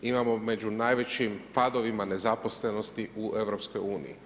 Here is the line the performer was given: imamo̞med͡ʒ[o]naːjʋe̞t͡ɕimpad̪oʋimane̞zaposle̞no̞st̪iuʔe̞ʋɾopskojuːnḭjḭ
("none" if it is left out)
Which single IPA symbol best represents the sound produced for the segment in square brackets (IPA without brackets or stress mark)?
u